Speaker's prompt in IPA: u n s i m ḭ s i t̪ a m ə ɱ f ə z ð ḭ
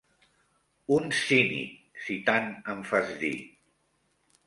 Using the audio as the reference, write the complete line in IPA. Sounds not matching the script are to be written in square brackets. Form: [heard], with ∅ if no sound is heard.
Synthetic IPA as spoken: u n s i [n] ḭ s i t̪ a [n] ə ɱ f [a] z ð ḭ